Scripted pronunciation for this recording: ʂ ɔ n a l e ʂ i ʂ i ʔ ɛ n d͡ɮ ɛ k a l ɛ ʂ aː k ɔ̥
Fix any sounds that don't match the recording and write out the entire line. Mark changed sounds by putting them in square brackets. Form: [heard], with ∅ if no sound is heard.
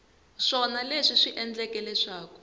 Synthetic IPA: ʂ ɔ n a l e ʂ i ʂ i ʔ ɛ n d͡ɮ ɛ k [ɛ] l ɛ ʂ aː k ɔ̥